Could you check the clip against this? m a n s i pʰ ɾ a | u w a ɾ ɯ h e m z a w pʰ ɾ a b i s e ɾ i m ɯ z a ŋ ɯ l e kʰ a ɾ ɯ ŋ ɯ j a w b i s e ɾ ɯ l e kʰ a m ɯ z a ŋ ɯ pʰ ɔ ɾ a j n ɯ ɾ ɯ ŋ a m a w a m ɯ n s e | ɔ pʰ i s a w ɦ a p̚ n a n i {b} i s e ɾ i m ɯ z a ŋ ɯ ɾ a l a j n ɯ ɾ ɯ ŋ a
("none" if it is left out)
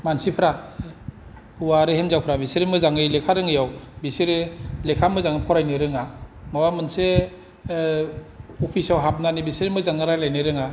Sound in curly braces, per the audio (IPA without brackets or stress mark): b